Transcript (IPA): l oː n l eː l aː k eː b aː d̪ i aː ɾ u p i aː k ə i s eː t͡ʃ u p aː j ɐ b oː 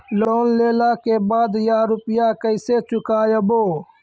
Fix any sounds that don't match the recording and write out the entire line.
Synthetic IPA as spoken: l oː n l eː l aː k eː b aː d̪ j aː ɾ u p j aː k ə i s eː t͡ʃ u k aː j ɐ b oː

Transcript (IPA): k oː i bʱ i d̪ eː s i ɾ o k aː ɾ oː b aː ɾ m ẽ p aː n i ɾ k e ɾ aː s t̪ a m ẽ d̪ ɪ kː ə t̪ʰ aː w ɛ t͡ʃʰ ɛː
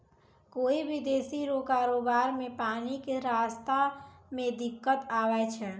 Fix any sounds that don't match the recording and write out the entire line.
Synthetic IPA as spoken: k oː i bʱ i d̪ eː s i ɾ o k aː ɾ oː b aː ɾ m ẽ p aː n i k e ɾ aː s t̪ a m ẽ d̪ ɪ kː ə t̪ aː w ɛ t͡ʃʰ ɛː

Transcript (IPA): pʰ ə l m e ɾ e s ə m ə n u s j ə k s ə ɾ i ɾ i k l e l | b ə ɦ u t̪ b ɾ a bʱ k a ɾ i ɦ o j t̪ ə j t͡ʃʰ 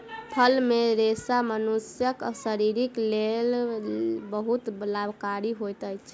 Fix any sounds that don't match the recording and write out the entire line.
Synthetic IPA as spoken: pʰ ə l m e ɾ e s a m ə n u s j ə k s ə ɾ i ɾ i k l e l | b ə ɦ u t̪ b l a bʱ k a ɾ i ɦ o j t̪ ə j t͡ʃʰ

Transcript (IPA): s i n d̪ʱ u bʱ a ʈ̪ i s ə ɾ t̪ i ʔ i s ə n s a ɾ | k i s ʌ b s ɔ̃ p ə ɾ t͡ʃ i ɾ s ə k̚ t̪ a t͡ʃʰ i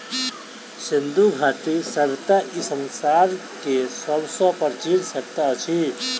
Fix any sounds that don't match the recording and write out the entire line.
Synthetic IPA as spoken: s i n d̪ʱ u ɡʱ a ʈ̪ i s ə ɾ t̪ a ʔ i s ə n s a ɾ | k e s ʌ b s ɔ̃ p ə ɾ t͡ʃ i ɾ s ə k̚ t̪ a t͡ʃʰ i

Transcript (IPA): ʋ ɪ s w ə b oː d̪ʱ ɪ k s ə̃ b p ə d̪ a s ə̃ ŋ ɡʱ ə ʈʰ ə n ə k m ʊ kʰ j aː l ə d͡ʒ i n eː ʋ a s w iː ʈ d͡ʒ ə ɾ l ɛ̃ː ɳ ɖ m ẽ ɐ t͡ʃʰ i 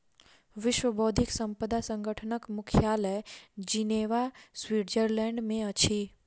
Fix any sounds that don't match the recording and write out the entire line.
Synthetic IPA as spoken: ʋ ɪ ʃ w ə b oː d̪ʱ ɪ k s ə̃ m p ə d̪ a s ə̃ ŋ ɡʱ ə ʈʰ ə n ə k m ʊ kʰ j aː l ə d͡ʒ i n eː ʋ a s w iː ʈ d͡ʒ ə ɾ l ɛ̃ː ɳ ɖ m ẽ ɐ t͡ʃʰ i

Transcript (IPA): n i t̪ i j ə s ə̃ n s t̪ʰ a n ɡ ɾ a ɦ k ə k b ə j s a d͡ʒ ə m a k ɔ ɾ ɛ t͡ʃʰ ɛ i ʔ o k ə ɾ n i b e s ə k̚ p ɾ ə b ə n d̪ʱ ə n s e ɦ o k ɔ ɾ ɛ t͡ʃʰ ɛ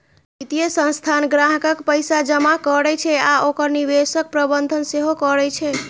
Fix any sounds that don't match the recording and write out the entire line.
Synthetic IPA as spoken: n i t̪ i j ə s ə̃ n s t̪ʰ a n ɡ ɾ a ɦ k ə k p ə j s a d͡ʒ ə m a k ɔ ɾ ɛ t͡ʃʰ ɛ a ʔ o k ə ɾ n i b e s ə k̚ p ɾ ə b ə n d̪ʱ ə n s e ɦ o k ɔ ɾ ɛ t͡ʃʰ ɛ

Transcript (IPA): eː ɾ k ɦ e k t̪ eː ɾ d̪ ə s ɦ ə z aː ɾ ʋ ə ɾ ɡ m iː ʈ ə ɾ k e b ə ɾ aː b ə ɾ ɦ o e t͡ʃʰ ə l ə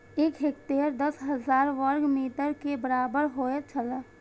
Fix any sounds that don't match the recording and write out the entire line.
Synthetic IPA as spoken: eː k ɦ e k t̪ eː ɾ d̪ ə s ɦ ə z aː ɾ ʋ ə ɾ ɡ m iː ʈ ə ɾ k e b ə ɾ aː b ə ɾ ɦ o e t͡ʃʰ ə l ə

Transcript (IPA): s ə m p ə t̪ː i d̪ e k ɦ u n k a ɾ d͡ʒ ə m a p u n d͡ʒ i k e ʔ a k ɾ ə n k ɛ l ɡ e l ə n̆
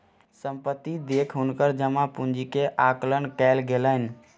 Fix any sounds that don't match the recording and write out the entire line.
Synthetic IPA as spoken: s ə m p ə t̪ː i d̪ e kʰ ɦ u n k ə ɾ d͡ʒ ə m a p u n d͡ʒ i k e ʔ a k l ə n k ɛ l ɡ e l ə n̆

